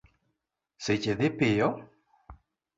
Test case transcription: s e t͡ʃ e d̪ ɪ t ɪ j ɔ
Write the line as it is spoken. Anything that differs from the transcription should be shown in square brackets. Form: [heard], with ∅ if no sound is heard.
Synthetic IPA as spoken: s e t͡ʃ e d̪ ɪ [p] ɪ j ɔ